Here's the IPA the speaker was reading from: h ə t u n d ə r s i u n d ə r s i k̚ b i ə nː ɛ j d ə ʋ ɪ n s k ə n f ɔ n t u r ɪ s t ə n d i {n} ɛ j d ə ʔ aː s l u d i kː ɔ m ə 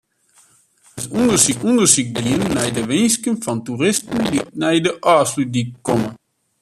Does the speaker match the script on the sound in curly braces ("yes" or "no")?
yes